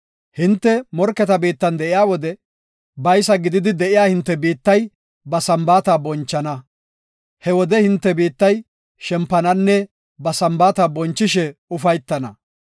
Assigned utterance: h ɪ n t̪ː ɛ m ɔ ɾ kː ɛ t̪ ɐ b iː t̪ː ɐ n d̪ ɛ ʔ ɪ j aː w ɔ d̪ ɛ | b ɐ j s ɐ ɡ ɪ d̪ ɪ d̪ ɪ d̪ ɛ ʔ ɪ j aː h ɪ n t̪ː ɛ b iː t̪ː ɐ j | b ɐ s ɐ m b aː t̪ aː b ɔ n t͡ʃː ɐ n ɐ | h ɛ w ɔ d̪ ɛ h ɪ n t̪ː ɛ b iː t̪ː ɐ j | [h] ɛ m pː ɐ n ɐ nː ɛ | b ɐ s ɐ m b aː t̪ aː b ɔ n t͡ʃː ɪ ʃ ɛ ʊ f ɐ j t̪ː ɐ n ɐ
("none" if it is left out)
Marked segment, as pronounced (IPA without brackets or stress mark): ʃ